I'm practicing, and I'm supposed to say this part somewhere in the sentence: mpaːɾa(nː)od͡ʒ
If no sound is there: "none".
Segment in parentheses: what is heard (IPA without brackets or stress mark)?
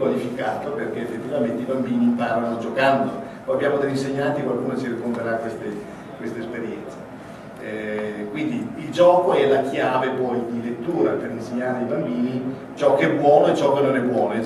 n